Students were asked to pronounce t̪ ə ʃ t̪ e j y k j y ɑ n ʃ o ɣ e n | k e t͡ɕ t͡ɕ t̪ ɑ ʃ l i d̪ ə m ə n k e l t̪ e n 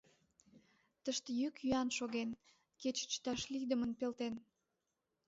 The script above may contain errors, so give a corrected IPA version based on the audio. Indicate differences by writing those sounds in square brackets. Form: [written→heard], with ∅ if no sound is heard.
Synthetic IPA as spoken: t̪ ə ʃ t̪ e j y k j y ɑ n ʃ o ɣ e n | k e t͡ɕ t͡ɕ t̪ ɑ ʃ l i d̪ ə m ə n [k→p] e l t̪ e n